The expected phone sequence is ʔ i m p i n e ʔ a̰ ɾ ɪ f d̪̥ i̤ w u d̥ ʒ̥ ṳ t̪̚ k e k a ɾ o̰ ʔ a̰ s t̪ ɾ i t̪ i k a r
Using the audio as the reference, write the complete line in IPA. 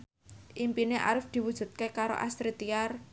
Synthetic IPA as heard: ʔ i m p i n e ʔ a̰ ɾ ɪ f d̪̥ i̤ w u d̥ ʒ̥ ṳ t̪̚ k e k a ɾ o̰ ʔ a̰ s t̪ ɾ i t̪ i a r